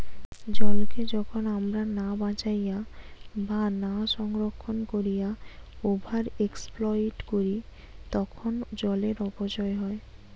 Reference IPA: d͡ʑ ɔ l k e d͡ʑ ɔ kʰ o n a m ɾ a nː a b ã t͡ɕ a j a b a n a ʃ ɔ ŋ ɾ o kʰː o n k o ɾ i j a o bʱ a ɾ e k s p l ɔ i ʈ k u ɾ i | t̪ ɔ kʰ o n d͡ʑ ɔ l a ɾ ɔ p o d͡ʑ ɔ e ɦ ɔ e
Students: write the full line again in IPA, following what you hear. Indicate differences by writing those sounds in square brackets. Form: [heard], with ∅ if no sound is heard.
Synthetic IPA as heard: d͡ʑ ɔ l k e d͡ʑ ɔ kʰ o n a m ɾ a [n] a b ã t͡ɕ a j a b a n a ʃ ɔ ŋ ɾ o kʰː o n k o ɾ i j a o bʱ a ɾ e k s p l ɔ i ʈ k [o] ɾ i | t̪ ɔ kʰ o n d͡ʑ ɔ l [e] ɾ ɔ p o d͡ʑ ɔ e ɦ ɔ e